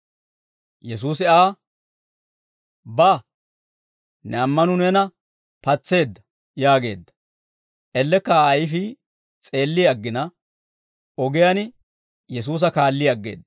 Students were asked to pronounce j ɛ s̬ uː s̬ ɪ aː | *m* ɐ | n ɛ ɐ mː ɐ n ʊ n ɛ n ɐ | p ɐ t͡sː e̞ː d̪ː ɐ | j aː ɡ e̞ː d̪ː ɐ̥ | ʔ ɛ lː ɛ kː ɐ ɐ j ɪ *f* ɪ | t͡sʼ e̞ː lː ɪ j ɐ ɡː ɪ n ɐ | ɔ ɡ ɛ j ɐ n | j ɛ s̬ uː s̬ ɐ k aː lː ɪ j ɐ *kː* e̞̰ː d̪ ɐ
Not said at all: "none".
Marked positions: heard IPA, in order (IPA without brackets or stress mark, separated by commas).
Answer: b, f, ɡː